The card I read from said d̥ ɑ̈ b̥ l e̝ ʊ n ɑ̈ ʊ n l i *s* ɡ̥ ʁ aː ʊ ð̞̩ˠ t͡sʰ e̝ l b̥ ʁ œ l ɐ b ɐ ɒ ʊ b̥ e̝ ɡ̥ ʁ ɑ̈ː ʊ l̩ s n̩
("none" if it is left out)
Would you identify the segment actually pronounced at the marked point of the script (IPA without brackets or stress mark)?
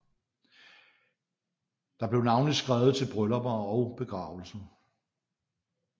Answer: s